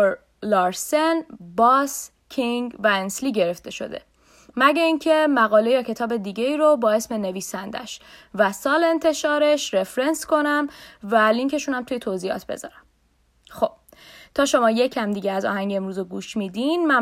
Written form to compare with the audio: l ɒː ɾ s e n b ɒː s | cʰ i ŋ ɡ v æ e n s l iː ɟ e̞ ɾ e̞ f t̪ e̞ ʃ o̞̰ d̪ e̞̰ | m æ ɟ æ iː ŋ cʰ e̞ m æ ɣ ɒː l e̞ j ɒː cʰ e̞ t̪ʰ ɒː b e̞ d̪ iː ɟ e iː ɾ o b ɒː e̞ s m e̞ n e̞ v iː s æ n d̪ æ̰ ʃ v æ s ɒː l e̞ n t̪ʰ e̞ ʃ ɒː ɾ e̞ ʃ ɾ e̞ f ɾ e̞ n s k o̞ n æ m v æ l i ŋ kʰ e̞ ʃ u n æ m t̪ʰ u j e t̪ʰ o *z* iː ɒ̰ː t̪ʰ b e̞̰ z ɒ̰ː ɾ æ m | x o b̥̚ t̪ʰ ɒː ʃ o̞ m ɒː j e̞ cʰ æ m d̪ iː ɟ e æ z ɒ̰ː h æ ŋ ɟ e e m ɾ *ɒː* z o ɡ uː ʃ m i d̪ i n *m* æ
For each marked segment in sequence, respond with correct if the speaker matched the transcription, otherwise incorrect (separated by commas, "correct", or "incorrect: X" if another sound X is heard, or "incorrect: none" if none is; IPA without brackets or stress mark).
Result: correct, incorrect: uː, correct